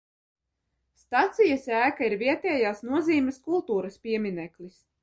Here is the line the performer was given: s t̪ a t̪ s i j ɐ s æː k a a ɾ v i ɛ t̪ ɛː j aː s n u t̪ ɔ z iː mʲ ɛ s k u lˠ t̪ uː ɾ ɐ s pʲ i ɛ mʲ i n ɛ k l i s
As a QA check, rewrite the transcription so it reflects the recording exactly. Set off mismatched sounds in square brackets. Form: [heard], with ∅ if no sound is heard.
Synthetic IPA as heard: s t̪ a t̪ s i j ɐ s æː k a [i] ɾ v i ɛ t̪ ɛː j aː s n u [∅] ɔ z iː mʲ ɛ s k u lˠ t̪ uː ɾ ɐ s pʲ i ɛ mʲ i n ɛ k l i s

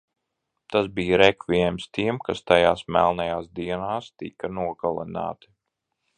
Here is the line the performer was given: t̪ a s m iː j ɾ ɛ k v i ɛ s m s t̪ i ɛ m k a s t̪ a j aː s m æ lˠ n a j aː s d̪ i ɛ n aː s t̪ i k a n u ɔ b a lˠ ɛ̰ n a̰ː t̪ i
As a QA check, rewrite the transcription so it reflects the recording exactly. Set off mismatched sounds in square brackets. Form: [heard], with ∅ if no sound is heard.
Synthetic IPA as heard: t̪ a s [b] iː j ɾ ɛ k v i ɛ [∅] m s t̪ i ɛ m k a s t̪ a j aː s m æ lˠ n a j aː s d̪ i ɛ n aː s t̪ i k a n u ɔ [ɡ] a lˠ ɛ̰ n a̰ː t̪ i

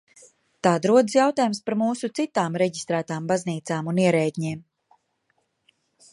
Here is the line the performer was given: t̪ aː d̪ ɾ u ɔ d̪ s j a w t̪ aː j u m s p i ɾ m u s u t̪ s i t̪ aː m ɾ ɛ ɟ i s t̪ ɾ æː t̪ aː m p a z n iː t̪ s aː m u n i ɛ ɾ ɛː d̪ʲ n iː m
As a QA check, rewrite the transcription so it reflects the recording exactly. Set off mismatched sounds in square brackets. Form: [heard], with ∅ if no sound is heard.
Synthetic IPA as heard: t̪ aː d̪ ɾ u ɔ d̪ s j a w t̪ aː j u m s p [a] ɾ m [uː] s u t̪ s i t̪ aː m ɾ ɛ ɟ i s t̪ ɾ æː t̪ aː m [b] a z n iː t̪ s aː m u n i ɛ ɾ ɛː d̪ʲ [ɲ] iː m

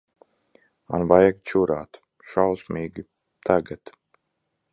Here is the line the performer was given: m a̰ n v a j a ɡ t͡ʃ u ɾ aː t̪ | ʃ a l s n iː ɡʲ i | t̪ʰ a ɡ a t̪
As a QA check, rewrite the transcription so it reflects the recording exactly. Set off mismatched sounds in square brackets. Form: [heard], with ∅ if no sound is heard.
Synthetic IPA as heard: m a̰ n v a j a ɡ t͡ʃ u ɾ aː t̪ | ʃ a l s [m] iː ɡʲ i | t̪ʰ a ɡ a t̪

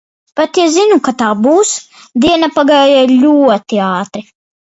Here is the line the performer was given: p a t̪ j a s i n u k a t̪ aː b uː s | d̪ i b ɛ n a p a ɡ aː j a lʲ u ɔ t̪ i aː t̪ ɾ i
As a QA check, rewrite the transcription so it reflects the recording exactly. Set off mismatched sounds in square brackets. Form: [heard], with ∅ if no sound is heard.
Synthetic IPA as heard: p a t̪ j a [z] i n u k a t̪ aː b uː s | d̪ i [∅] ɛ n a p a ɡ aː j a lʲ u ɔ t̪ i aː t̪ ɾ i

